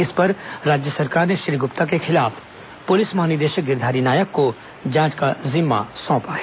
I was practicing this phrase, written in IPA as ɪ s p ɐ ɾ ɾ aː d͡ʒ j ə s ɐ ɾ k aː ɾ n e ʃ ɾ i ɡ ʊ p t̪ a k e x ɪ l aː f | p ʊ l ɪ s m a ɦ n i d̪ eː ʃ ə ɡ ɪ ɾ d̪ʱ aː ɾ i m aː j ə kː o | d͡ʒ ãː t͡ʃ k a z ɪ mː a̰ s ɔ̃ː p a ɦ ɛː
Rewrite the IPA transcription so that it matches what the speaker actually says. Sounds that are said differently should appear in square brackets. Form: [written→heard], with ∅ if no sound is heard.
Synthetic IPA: ɪ s p ɐ ɾ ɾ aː d͡ʒ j ə s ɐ ɾ k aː ɾ n e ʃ ɾ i ɡ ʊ p t̪ a k e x ɪ l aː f | p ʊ l ɪ s m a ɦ n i d̪ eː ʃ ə ɡ ɪ ɾ d̪ʱ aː ɾ i [m→n] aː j ə kː o | d͡ʒ ãː t͡ʃ k a z ɪ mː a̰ s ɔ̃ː p a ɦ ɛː